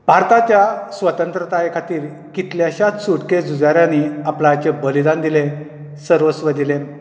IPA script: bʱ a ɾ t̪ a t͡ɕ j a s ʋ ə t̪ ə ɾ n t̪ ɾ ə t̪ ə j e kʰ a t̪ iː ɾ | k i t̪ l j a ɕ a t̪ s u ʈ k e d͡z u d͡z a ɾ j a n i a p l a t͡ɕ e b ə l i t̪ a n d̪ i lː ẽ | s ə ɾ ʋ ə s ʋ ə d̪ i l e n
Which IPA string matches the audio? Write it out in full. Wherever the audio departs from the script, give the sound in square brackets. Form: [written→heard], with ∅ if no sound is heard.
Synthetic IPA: bʱ a ɾ t̪ a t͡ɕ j a s ʋ ə t̪ ə [ɾ→∅] n t̪ ɾ ə t̪ [ə→a] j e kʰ a t̪ iː ɾ | k i t̪ l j a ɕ a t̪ s u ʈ k e d͡z u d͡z a ɾ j a n i a p l a t͡ɕ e b ə l i [t̪→d̪] a n d̪ i [lː→l] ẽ | s ə ɾ ʋ ə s ʋ ə d̪ i l e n